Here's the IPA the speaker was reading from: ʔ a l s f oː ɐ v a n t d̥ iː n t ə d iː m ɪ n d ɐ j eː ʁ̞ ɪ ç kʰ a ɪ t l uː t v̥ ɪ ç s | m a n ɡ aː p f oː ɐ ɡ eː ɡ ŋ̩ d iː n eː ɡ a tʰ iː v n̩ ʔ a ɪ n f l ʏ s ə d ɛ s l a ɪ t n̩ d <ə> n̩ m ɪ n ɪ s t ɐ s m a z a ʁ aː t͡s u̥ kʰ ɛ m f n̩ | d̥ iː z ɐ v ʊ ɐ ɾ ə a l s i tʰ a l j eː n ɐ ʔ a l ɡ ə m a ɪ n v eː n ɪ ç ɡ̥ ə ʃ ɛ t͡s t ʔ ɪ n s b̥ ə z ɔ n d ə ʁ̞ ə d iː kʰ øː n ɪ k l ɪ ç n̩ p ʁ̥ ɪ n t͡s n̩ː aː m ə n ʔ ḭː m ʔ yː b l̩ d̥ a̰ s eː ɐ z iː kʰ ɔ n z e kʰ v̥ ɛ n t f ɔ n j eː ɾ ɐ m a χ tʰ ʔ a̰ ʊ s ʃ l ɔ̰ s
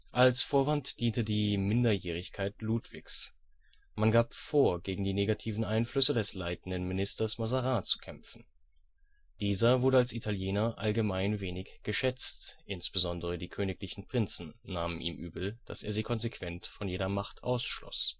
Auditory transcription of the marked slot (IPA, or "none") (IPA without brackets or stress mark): ə